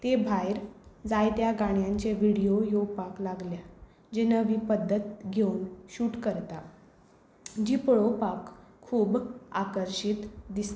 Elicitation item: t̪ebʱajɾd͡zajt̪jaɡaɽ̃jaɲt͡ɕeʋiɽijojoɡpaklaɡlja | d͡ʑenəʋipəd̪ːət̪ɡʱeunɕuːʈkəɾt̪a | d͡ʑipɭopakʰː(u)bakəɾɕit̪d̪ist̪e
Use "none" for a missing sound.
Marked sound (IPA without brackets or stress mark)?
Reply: uː